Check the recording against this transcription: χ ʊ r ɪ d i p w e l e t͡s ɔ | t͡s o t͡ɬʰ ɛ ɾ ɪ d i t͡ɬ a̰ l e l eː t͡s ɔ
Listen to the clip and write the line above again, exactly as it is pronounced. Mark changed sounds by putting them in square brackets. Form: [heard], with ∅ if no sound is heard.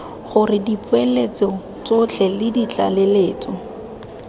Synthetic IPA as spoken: χ ʊ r ɪ d i p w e l e t͡s ɔ | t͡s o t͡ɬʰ ɛ [l] ɪ d i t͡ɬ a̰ l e l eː t͡s ɔ